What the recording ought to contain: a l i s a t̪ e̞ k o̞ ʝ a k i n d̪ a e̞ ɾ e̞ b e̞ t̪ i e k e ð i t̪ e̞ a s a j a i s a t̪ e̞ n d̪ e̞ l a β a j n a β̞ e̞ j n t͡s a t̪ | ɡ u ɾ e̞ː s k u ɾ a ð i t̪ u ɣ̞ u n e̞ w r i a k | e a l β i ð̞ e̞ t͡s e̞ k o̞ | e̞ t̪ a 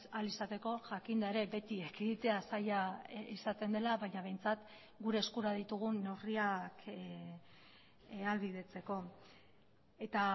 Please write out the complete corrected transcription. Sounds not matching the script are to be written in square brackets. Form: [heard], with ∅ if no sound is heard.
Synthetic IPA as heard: a l i s a t̪ e̞ k o̞ ʝ a k i n d̪ a e̞ ɾ e̞ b e̞ t̪ i e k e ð i t̪ e̞ a s a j a i s a t̪ e̞ n d̪ e̞ l a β a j [ɲ] a β̞ e̞ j n t͡s a t̪ | ɡ u ɾ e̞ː s k u ɾ a ð i t̪ u ɣ̞ u n e̞ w r i a k | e a l β i ð̞ e̞ t͡s e̞ k o̞ | e̞ t̪ a

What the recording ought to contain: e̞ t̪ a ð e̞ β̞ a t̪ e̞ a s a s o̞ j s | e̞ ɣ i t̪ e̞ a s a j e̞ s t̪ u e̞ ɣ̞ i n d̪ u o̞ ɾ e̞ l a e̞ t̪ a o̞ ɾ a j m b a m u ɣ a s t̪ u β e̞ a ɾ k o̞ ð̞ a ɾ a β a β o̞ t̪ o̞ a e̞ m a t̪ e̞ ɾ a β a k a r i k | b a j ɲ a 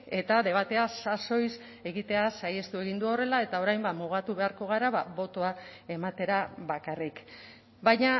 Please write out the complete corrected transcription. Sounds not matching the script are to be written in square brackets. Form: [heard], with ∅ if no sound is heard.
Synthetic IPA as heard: e̞ t̪ a ð e̞ β̞ a t̪ e̞ a s a s o̞ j s | e̞ ɣ i t̪ e̞ a s a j e̞ s t̪ u e̞ ɣ̞ i n d̪ u o̞ [r] e̞ l a e̞ t̪ a o̞ ɾ a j m b a m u ɣ a [∅] t̪ u β e̞ a ɾ k o̞ [ɣ̞] a ɾ a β a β o̞ t̪ o̞ a e̞ m a t̪ e̞ ɾ a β a k a r i k | b a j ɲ a

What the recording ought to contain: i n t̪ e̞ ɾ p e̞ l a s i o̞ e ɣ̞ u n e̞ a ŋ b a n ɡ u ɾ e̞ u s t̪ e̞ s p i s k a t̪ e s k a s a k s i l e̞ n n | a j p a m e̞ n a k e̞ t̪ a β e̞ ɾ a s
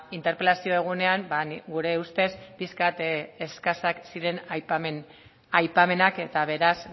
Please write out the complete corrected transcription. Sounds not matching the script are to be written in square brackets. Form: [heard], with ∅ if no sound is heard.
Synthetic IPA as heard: i n t̪ e̞ ɾ p e̞ l a s i o̞ e ɣ̞ u n e̞ a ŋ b a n ɡ u ɾ e̞ u s t̪ e̞ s p i s k a t̪ e s k a s a k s i [ɾ] e̞ n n | a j p a m e̞ n a k e̞ t̪ a β e̞ ɾ a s

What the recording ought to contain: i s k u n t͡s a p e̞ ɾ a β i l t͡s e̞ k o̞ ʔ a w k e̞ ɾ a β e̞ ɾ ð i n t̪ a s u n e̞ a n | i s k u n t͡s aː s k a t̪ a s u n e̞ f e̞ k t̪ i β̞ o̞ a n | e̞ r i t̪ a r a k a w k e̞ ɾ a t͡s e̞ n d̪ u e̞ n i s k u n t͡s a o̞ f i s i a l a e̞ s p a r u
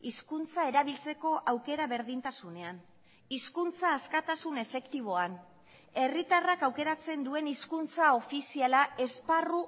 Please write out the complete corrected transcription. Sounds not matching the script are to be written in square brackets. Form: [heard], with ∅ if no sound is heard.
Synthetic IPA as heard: i s k u n t͡s a [∅] e̞ ɾ a β i l t͡s e̞ k o̞ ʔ a w k e̞ ɾ a β e̞ ɾ ð i n t̪ a s u n e̞ a n | i s k u n t͡s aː s k a t̪ a s u n e̞ f e̞ k t̪ i β̞ o̞ a n | e̞ r i t̪ a r a k a w k e̞ ɾ a t͡s e̞ n d̪ u e̞ n i s k u n t͡s a o̞ f i s i a l a e̞ s p a r u

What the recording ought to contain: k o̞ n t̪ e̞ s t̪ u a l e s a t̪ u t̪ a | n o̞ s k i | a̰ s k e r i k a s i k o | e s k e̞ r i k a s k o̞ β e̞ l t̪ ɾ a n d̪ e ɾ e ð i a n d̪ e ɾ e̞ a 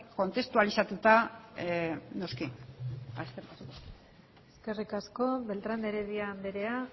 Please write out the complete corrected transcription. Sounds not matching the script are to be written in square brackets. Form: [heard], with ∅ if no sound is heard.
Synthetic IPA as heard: k o̞ n t̪ e̞ s t̪ u a l [i] s a t̪ u t̪ a | n o̞ s k i | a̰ s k e r i k a s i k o | e s k e̞ r i k a s k o̞ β e̞ l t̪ ɾ a n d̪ e ɾ e ð i a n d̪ e ɾ e̞ a

